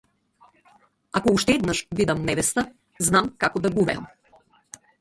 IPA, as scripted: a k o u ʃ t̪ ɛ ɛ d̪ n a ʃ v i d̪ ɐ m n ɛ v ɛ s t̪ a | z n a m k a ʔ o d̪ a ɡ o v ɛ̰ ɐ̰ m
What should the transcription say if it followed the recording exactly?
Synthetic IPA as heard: a k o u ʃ t̪ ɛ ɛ d̪ n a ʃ v i d̪ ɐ m n ɛ v ɛ s t̪ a | z n a m k a k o d̪ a ɡ u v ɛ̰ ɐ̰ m